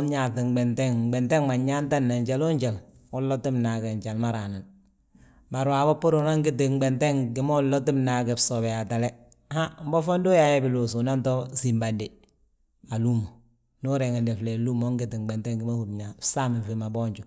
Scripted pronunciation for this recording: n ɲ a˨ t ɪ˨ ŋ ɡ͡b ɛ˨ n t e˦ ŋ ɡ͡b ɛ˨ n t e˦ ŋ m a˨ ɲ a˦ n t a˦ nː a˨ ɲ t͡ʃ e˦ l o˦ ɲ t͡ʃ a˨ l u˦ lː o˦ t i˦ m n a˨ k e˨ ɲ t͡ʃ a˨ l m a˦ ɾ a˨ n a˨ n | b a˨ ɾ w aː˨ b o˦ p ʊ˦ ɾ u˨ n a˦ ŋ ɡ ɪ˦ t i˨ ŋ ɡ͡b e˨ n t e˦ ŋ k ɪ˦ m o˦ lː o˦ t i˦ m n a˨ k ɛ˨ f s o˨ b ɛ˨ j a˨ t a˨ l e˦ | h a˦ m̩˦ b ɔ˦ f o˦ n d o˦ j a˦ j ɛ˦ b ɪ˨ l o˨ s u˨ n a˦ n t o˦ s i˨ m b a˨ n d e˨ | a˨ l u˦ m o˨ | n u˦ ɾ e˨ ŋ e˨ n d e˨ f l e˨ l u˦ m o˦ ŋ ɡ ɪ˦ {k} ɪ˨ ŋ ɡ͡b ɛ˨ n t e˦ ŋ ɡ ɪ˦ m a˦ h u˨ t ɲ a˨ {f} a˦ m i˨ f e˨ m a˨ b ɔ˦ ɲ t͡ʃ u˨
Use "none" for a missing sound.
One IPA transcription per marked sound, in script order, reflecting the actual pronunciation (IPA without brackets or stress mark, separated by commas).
t, s